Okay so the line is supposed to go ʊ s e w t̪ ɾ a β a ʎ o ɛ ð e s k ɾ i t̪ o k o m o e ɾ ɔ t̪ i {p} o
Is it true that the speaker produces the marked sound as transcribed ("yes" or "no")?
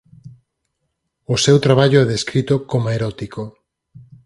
no